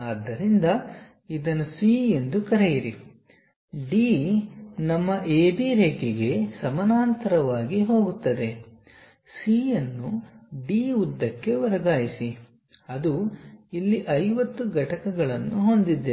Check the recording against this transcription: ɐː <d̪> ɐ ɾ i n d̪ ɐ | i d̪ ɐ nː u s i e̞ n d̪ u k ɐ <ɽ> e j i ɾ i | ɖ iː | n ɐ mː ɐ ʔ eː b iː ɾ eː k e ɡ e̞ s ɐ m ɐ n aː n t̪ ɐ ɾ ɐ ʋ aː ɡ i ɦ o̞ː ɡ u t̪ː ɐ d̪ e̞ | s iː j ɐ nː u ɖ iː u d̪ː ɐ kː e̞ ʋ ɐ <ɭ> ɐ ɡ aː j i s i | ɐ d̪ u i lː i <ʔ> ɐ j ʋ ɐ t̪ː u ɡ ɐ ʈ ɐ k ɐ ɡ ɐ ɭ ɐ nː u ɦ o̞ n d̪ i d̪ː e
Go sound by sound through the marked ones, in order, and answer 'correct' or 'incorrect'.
incorrect: d̪ː, incorrect: ɾ, incorrect: ɾ, correct

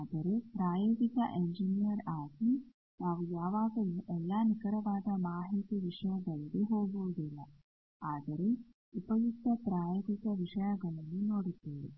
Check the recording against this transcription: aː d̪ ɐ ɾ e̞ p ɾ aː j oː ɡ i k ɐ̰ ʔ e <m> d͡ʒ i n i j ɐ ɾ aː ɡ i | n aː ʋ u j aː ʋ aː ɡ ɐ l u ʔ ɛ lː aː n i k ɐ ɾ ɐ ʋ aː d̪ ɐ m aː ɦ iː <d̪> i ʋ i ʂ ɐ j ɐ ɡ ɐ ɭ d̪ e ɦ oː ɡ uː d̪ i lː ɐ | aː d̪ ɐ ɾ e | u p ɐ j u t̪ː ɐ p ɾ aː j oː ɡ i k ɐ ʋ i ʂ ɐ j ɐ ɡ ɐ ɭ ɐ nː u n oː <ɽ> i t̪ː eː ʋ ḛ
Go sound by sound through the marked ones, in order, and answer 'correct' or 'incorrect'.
incorrect: ɲ, incorrect: t̪, correct

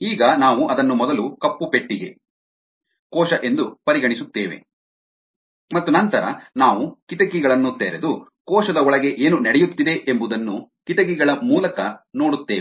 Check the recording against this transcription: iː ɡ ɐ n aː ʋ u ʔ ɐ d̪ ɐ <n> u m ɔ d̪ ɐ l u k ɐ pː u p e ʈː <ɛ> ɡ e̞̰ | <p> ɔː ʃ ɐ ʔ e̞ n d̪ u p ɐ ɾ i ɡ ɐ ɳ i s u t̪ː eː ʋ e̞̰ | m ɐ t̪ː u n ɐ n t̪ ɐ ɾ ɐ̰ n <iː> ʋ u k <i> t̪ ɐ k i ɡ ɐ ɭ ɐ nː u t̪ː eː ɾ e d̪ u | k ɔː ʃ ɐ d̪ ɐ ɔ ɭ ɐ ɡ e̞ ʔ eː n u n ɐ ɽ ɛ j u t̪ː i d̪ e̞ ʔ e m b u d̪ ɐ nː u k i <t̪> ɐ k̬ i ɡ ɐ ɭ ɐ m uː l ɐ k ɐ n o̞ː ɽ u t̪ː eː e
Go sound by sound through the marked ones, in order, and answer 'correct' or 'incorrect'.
incorrect: nː, incorrect: i, incorrect: k, incorrect: aː, correct, correct

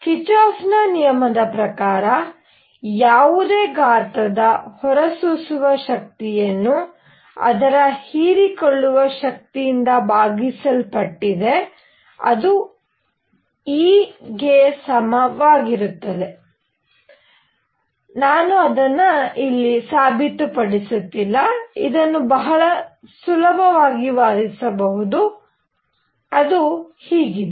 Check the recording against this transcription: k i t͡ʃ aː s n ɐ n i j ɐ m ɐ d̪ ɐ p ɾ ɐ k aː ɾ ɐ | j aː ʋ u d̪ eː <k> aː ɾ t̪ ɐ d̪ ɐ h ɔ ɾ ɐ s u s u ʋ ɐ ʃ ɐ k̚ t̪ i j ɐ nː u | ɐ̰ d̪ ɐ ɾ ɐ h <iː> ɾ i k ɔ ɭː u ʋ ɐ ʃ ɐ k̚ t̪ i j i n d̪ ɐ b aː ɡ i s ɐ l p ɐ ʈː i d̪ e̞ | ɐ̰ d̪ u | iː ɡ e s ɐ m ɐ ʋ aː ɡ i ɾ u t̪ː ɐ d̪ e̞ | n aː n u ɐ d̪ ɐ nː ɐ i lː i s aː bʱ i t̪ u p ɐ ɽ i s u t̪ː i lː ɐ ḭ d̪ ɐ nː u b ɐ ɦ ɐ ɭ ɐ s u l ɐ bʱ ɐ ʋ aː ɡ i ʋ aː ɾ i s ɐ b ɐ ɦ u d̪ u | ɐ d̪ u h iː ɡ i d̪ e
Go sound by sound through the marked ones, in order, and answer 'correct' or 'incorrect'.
incorrect: ɡ, correct

